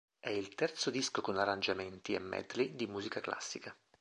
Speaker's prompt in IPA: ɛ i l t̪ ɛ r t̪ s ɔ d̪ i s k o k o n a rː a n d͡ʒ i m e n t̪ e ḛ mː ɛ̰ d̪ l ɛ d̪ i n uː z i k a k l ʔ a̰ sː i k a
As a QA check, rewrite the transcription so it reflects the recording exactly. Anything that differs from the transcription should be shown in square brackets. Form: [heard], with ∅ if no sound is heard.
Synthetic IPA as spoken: ɛ i l t̪ ɛ r t̪ s [o] d̪ i s k o k o n a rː a n d͡ʒ [a] m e n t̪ [i] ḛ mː ɛ̰ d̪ l [i] d̪ i [m] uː z i k a k l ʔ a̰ sː i k a